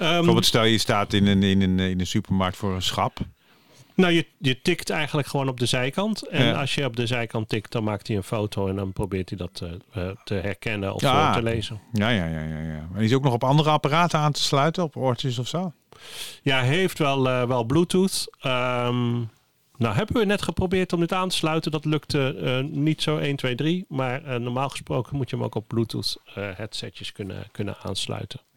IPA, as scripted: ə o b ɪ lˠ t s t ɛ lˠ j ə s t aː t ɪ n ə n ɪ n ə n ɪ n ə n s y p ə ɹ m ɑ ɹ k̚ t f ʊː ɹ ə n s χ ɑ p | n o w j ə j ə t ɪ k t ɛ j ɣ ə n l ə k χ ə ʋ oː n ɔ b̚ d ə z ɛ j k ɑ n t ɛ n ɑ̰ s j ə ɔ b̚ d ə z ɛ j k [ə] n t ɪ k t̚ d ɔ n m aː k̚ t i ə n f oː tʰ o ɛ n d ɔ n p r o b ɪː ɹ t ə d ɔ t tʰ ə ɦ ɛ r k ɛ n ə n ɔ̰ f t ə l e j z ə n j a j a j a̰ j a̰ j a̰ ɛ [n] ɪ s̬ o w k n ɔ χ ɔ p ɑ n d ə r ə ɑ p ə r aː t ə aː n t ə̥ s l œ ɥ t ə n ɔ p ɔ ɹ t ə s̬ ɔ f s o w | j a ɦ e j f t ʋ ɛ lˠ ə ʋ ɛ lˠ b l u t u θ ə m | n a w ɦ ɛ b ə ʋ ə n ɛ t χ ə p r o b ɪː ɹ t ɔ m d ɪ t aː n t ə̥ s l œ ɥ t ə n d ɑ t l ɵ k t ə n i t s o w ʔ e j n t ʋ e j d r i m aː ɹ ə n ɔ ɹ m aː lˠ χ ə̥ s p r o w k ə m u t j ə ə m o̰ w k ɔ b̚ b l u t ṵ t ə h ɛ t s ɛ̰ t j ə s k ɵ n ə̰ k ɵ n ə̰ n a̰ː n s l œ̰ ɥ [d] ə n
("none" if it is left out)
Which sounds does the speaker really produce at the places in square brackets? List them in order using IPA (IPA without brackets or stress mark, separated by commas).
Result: ɑ, n, t